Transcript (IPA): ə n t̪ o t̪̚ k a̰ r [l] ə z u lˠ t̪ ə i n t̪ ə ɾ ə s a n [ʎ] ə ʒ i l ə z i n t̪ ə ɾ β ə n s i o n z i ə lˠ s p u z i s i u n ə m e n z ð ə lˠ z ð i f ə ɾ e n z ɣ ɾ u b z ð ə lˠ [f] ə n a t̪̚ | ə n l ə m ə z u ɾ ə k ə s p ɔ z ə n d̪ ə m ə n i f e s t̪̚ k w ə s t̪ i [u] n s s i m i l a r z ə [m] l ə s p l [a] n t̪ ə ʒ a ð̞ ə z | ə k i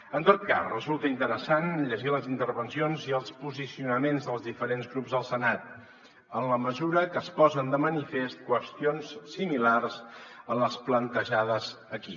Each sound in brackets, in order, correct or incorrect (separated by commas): incorrect, correct, incorrect, incorrect, incorrect, incorrect